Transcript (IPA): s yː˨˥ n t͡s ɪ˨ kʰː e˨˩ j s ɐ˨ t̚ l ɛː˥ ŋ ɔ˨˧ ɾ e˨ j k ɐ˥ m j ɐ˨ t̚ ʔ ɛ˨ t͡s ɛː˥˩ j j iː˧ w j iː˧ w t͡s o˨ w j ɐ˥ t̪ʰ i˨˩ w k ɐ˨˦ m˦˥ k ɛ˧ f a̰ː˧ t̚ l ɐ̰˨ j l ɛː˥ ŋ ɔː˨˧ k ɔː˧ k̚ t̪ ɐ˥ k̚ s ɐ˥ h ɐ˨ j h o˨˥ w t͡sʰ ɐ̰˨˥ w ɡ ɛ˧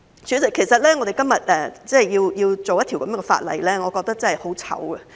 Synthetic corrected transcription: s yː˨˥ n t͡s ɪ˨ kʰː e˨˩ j s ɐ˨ t̚ l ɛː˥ ŋ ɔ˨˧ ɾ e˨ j k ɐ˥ m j ɐ˨ t̚ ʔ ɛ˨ t͡s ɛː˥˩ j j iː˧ w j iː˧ w t͡s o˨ w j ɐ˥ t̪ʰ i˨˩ w k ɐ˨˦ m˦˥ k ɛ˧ f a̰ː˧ t̚ l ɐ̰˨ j l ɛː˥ ŋ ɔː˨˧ k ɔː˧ k̚ t̪ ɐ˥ k̚ t͡s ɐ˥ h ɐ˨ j h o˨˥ w t͡sʰ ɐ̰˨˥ w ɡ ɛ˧

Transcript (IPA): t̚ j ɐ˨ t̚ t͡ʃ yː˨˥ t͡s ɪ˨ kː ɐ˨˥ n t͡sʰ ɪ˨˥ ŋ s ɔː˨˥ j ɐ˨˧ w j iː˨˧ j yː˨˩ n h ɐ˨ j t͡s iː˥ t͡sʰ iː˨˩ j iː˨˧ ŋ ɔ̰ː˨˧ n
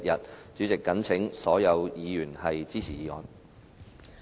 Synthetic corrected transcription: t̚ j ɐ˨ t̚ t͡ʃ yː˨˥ t͡s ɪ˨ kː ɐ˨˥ n t͡sʰ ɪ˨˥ ŋ s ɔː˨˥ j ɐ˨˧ w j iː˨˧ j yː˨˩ n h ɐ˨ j t͡s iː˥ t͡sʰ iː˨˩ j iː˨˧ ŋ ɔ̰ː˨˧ n

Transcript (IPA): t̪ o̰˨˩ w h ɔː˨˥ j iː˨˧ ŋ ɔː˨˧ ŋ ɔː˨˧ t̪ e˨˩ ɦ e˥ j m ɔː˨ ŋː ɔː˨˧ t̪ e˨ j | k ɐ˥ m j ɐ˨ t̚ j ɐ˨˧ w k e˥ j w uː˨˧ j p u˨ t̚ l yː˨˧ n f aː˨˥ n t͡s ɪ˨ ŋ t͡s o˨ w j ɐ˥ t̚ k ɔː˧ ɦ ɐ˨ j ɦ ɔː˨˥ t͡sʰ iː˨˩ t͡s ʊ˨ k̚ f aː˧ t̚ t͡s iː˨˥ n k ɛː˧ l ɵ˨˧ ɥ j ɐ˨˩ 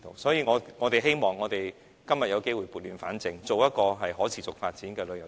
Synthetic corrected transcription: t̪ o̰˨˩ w s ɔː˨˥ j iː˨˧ ŋ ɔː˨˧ ŋ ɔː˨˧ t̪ e˨˩ ɦ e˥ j m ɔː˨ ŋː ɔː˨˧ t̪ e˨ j | k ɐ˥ m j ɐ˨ t̚ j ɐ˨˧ w k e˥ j w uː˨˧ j p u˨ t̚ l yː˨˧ n f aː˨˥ n t͡s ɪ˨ ŋ t͡s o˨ w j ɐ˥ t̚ k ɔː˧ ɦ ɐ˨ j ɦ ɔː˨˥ t͡sʰ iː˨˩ t͡s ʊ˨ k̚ f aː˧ t̚ t͡s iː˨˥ n k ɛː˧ l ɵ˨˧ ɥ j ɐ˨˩

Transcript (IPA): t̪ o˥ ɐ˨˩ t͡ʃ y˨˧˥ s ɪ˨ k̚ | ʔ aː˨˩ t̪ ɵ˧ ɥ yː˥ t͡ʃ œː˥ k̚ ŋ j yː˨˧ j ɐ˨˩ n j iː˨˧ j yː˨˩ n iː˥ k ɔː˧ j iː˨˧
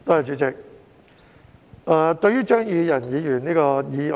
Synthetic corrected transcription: t̪ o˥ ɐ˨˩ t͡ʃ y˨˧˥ t͡s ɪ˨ k̚ | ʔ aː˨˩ t̪ ɵ˧ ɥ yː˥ t͡ʃ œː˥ ŋ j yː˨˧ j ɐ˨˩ n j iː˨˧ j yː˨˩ n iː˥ k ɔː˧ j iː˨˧

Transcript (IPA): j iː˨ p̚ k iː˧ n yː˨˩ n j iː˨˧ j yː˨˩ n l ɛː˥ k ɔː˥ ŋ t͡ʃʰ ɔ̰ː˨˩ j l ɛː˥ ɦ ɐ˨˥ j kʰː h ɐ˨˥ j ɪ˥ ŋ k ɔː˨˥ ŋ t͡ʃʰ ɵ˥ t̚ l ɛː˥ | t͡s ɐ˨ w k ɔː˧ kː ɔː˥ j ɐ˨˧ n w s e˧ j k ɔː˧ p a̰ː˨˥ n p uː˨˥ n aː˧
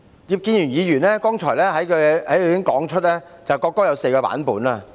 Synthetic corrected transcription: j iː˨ p̚ k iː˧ n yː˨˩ n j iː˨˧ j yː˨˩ n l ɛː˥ k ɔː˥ ŋ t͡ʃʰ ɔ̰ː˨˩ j l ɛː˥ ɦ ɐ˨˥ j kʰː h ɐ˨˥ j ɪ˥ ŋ k ɔː˨˥ ŋ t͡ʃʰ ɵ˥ t̚ l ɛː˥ | t͡s ɐ˨ w k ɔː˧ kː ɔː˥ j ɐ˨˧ w s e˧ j k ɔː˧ p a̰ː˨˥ n p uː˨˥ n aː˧

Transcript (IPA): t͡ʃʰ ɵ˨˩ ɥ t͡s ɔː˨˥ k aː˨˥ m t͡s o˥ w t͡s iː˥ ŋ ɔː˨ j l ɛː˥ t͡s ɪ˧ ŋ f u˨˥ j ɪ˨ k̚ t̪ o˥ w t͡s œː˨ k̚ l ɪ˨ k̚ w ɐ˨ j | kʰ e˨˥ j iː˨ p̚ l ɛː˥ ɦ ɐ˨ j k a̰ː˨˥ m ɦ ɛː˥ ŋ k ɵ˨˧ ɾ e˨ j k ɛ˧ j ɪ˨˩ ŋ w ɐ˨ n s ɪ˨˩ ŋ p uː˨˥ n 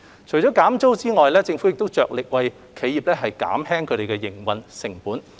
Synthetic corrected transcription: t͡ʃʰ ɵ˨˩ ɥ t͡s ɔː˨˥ k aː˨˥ m t͡s o˥ w t͡s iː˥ ŋ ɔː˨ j l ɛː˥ t͡s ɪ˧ ŋ f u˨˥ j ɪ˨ k̚ t̪ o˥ w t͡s œː˨ k̚ l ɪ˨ k̚ w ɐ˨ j | kʰ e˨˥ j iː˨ p̚ l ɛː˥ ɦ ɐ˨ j k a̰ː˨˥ m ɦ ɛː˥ ŋ kʰ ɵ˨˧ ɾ e˨ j k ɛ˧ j ɪ˨˩ ŋ w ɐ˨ n s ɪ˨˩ ŋ p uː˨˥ n

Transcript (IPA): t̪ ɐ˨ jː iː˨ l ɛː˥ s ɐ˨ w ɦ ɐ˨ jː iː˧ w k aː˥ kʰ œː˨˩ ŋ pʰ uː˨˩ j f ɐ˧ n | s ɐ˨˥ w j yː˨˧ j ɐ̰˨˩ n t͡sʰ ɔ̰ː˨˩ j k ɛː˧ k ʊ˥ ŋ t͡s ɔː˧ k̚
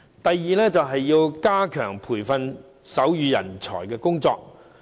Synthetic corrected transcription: t̪ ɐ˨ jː iː˨ l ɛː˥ t͡s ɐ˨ w ɦ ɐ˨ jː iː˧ w k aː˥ kʰ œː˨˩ ŋ pʰ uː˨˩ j f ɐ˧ n | s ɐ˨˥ w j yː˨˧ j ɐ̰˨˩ n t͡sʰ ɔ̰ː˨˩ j k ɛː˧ k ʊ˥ ŋ t͡s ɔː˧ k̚

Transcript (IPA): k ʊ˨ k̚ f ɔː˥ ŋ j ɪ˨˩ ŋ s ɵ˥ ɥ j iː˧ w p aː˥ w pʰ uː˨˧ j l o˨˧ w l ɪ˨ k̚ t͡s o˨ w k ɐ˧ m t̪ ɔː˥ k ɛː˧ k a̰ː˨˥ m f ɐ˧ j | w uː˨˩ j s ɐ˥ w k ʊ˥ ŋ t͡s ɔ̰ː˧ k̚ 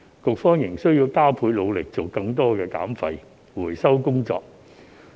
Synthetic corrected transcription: k ʊ˨ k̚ f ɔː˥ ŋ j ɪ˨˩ ŋ s ɵ˥ ɥ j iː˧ w k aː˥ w pʰ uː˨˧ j l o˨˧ w l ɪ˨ k̚ t͡s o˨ w k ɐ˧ ŋ t̪ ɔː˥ k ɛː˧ k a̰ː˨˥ m f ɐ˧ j | w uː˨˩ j s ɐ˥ w k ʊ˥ ŋ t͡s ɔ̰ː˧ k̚

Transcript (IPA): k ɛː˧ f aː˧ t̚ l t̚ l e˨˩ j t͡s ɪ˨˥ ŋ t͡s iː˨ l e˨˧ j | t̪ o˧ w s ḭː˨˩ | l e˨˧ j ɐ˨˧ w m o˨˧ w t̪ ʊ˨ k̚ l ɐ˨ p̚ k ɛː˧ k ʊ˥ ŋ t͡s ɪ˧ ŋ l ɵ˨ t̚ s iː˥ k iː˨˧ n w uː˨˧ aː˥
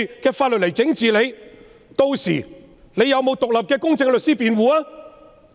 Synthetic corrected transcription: k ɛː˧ f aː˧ t̚ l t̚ l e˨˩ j t͡s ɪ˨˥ ŋ t͡s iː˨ l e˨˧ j | t̪ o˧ w s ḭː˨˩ | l e˨˧ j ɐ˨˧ w m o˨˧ w t̪ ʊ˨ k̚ l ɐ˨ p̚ k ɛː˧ k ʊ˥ ŋ t͡s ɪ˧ ŋ l ɵ˨ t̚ s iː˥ p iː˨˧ n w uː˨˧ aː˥

